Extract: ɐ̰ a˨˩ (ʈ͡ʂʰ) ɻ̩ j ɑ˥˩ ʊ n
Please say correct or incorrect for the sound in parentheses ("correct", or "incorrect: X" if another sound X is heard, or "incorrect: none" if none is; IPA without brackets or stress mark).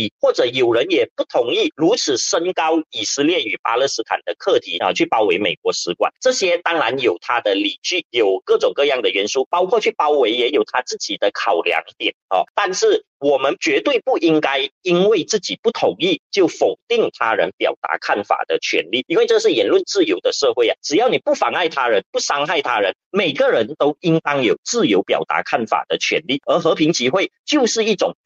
incorrect: ʈ͡ʂ